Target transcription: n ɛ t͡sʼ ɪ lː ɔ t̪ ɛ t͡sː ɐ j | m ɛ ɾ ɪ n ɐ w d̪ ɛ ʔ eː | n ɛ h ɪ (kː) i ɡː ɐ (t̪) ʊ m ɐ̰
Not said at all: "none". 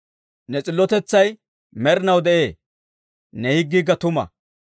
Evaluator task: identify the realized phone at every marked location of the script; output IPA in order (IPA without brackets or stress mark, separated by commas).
ɡː, t̪